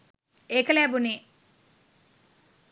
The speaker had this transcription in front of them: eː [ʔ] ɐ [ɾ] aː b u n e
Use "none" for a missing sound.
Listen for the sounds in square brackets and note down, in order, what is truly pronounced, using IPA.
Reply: k, l

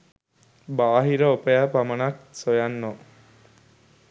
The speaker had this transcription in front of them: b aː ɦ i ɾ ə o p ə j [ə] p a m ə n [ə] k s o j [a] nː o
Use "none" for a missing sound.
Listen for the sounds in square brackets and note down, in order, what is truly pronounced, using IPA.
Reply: a, a, a

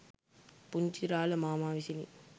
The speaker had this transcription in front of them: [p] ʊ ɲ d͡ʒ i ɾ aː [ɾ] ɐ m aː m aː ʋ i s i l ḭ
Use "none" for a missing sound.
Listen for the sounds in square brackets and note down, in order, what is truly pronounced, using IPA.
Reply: p, l

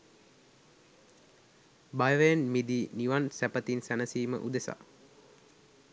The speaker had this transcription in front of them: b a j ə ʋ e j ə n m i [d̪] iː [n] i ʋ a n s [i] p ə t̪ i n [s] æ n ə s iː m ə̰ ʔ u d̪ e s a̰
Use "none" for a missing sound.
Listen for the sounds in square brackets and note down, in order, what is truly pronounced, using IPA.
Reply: d̪, n, æ, s

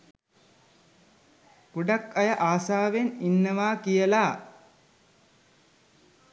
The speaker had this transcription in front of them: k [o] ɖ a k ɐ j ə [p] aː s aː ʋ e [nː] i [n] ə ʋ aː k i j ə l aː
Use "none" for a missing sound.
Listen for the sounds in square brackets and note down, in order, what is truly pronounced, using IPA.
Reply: u, ʔ, n, nː

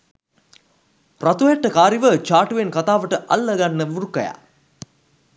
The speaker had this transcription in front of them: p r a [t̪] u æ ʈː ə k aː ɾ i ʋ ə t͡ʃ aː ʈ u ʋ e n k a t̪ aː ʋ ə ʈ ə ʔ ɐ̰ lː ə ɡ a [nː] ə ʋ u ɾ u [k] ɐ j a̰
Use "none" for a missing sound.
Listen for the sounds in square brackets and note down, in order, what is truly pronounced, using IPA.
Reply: t̪, nː, k

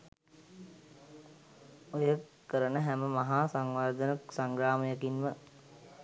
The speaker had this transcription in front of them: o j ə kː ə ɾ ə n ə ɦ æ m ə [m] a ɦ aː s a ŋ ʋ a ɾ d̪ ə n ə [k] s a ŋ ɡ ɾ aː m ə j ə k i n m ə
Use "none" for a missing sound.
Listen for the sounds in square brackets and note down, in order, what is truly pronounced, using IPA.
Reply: m, k

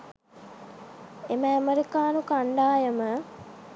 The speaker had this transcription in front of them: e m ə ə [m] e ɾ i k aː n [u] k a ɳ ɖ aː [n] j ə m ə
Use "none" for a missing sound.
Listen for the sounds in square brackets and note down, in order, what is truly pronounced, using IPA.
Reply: m, u, none

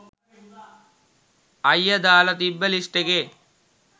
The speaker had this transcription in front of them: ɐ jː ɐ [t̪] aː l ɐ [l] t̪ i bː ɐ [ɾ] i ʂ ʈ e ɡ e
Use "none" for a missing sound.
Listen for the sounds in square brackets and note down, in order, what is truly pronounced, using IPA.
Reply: d̪, none, l

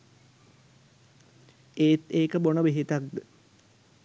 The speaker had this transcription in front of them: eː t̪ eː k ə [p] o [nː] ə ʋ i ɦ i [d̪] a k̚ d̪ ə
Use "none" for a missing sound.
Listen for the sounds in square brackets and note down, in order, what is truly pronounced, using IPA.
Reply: b, n, t̪

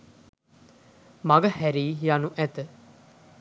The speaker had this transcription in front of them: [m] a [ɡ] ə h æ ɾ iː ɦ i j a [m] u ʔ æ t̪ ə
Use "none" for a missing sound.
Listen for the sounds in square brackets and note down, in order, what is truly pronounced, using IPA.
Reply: m, ɡ, n

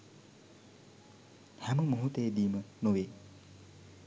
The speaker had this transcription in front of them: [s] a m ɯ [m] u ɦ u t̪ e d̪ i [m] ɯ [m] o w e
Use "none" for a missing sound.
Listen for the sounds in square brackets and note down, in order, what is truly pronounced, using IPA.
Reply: h, m, m, n

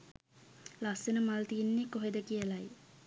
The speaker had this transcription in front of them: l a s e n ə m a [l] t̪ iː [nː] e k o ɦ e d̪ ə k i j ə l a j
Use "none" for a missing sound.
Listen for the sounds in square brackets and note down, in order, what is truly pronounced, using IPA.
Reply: l, nː

